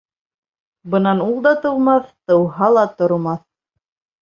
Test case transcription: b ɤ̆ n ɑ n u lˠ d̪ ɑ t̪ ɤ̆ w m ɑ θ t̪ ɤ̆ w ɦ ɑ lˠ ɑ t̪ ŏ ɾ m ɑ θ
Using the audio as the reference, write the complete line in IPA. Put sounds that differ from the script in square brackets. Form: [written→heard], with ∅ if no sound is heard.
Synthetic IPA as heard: b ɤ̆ n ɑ n u lˠ d̪ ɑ t̪ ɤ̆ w m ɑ θ t̪ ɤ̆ w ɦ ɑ lˠ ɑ t̪ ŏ ɾ m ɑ θ